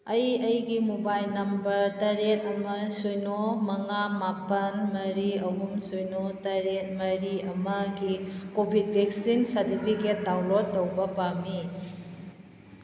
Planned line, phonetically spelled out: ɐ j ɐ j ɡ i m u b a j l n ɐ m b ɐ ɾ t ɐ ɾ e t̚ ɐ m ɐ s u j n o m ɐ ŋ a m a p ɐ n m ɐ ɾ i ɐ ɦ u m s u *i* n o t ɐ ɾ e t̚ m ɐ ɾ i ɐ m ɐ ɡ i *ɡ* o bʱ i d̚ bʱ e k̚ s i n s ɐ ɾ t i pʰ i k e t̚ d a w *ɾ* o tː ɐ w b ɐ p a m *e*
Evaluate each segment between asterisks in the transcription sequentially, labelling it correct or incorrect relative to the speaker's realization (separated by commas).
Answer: incorrect, incorrect, incorrect, incorrect